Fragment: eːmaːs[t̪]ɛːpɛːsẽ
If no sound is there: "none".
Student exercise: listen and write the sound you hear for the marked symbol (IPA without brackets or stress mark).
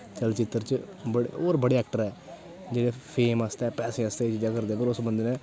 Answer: t̪